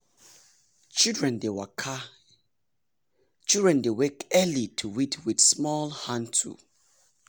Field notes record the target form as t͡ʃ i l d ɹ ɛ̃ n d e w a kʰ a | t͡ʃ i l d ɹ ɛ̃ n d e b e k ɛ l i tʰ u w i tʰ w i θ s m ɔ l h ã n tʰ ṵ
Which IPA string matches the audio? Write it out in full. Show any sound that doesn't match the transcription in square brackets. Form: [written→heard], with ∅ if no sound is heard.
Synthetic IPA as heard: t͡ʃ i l d ɹ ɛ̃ n d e w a kʰ a | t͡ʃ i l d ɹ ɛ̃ n d e [b→w] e k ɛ l i tʰ u w i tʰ w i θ s m ɔ l h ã n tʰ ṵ